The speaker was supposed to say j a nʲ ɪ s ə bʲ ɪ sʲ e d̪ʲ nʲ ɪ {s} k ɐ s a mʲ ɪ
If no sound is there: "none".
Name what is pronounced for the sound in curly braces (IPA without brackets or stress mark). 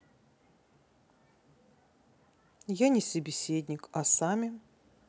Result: none